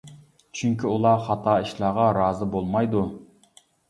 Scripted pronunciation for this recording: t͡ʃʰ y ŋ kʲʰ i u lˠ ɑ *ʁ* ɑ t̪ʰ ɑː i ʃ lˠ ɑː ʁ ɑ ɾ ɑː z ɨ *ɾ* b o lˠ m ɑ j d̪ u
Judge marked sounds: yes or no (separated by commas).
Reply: no, no